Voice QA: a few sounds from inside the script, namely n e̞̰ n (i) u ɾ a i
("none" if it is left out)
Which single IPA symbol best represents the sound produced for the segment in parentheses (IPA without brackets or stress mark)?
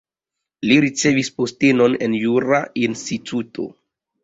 j